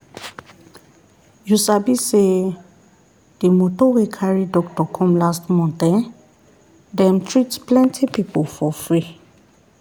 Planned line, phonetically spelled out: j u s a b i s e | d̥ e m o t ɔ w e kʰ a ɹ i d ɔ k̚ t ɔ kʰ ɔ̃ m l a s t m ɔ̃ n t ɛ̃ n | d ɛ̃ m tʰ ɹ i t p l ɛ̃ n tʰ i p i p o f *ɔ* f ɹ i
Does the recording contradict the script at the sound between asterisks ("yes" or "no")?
no